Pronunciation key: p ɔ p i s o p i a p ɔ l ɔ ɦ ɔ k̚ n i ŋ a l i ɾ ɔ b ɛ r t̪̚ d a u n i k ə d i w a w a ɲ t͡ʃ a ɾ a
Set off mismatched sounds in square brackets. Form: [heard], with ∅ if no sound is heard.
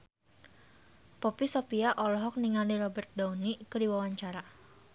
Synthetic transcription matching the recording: p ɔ p i s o p i a [ʔ] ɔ l ɔ ɦ ɔ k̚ n i ŋ a l i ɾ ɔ b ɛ r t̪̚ d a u n i k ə d i w a w a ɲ t͡ʃ a ɾ a